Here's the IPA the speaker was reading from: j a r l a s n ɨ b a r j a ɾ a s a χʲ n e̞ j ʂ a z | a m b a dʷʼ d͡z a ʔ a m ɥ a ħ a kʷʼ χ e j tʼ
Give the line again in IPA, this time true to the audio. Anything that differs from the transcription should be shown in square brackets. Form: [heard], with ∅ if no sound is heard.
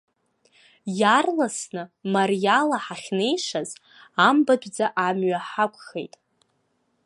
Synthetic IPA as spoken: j a r l a s n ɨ [m] a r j a [l] a [ħ] a χʲ n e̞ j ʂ a z | a m b a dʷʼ d͡z a ʔ a m ɥ a ħ a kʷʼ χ e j tʼ